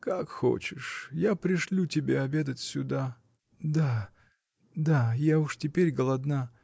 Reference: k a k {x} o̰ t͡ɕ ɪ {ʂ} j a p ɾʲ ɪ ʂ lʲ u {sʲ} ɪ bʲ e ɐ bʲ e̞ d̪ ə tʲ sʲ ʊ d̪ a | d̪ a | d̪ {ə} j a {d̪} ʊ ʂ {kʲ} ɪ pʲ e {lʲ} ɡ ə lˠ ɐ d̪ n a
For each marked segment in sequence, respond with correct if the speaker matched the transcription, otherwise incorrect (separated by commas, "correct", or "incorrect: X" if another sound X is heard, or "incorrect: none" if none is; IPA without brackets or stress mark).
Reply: correct, correct, incorrect: tʲ, incorrect: a, incorrect: none, incorrect: tʲ, incorrect: ɾʲ